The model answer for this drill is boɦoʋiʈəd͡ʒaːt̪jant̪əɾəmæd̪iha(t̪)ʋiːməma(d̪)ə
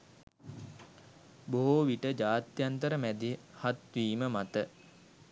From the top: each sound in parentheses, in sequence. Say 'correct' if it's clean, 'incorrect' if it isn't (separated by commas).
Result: correct, incorrect